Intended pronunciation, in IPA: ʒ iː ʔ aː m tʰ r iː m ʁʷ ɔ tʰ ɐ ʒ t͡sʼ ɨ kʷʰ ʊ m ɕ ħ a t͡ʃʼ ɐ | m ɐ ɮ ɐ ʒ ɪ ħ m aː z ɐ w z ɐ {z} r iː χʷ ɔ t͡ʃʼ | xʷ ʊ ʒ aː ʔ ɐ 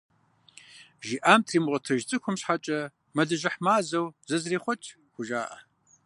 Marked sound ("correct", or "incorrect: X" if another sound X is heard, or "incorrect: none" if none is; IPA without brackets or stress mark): correct